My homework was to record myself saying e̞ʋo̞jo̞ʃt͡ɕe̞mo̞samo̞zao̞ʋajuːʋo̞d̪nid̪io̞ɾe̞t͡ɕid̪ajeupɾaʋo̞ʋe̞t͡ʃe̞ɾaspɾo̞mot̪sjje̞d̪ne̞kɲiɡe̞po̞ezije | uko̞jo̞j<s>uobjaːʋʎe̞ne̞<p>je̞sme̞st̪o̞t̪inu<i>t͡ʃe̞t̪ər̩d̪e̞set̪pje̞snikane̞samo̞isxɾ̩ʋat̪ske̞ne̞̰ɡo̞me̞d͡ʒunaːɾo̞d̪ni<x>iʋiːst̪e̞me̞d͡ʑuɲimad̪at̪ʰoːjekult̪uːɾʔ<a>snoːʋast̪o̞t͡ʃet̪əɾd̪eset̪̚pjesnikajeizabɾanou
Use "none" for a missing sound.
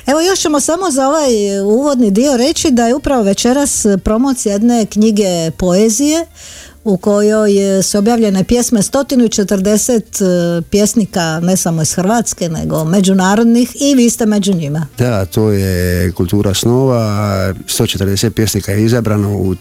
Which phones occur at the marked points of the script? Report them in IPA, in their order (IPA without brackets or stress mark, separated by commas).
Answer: s, p, i, x, a